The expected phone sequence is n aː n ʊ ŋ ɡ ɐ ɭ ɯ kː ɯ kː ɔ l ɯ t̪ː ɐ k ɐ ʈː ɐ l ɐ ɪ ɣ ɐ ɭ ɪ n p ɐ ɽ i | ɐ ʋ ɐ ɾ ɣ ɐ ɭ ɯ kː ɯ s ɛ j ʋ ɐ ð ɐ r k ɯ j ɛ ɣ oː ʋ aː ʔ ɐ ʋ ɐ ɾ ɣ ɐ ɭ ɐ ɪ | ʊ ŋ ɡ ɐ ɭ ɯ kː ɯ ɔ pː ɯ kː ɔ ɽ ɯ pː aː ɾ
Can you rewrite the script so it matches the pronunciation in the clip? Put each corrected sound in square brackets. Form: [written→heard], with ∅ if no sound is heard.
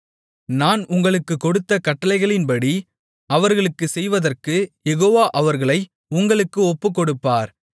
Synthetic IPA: n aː n ʊ ŋ ɡ ɐ ɭ ɯ kː ɯ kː ɔ [l→ɽ] ɯ t̪ː ɐ k ɐ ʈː ɐ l ɐ ɪ ɣ ɐ ɭ ɪ n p ɐ ɽ i | ɐ ʋ ɐ ɾ ɣ ɐ ɭ ɯ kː ɯ s ɛ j ʋ ɐ ð ɐ r k ɯ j ɛ ɣ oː ʋ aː ʔ ɐ ʋ ɐ ɾ ɣ ɐ ɭ ɐ ɪ | ʊ ŋ ɡ ɐ ɭ ɯ kː ɯ ɔ pː ɯ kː ɔ ɽ ɯ pː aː ɾ